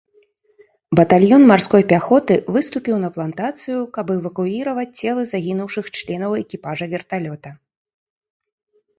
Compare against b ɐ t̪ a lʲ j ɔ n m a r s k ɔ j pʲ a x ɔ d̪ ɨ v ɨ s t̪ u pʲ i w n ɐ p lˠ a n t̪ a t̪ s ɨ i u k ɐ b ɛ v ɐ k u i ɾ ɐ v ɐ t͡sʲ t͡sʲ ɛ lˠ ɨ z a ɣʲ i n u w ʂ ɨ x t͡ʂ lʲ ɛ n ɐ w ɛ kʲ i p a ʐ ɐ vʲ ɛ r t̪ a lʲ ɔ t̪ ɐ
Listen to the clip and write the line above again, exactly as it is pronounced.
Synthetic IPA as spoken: b ɐ t̪ a lʲ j ɔ n m a r s k ɔ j pʲ a x ɔ t̪ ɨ v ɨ s t̪ u pʲ i w n ɐ p lˠ a n t̪ a t̪ s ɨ j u k ɐ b ɛ v ɐ k u i ɾ ɐ v ɐ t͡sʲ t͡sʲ ɛ lˠ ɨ z a ɣʲ i n u w ʂ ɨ x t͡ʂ lʲ ɛ n ɐ w ɛ kʲ i p a ʐ ɐ vʲ ɛ r t̪ a lʲ ɔ t̪ ɐ